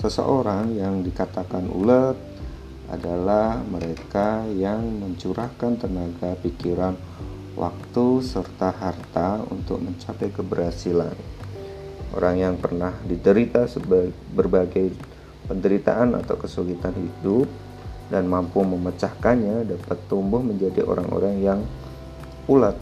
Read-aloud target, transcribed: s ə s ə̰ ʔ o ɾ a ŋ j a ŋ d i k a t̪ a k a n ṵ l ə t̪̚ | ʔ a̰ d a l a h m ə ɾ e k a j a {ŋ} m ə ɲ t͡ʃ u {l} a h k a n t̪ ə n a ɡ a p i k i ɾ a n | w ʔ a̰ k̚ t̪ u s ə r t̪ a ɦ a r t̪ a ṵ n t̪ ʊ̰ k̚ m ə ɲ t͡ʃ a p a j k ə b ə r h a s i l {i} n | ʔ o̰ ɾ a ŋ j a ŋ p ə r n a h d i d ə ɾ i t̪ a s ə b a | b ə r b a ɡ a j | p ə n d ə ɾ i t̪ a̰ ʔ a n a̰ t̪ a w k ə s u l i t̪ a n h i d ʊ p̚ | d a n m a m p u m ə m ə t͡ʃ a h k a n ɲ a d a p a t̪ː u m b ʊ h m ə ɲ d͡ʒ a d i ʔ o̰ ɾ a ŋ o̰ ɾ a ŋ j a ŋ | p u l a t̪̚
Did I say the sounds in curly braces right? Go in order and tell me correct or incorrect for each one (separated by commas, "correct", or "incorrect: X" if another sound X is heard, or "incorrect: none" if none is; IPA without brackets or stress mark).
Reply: correct, incorrect: ɾ, incorrect: a